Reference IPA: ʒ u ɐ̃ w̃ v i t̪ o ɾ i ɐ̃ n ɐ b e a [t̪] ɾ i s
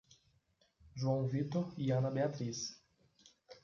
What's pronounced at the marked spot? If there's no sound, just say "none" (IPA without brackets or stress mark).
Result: t̪